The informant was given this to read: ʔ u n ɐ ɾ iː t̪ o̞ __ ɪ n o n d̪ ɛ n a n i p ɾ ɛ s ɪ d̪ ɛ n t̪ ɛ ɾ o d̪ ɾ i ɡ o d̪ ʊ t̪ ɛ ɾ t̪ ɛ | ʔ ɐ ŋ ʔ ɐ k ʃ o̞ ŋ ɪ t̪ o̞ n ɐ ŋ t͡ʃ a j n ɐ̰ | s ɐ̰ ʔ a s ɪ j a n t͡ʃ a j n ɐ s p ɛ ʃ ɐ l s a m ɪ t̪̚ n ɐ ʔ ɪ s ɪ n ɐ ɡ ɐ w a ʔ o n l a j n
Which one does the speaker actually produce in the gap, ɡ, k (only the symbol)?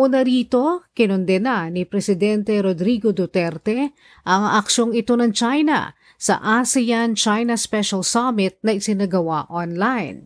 k